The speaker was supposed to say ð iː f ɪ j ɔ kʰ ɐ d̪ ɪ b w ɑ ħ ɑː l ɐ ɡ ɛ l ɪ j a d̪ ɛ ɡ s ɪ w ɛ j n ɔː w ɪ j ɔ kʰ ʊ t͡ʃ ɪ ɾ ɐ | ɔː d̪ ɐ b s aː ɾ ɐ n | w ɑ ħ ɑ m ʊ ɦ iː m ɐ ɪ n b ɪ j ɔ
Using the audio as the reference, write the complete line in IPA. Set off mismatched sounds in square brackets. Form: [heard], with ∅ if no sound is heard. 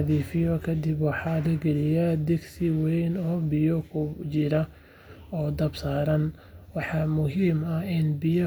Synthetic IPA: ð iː f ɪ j ɔ kʰ ɐ d̪ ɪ b w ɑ ħ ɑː l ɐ ɡ ɛ l ɪ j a d̪ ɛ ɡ s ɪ w ɛ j n ɔː [b] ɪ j ɔ kʰ ʊ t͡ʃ ɪ ɾ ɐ | ɔː d̪ ɐ b s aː ɾ ɐ n | w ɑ ħ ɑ m ʊ ɦ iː m ɐ ɪ n b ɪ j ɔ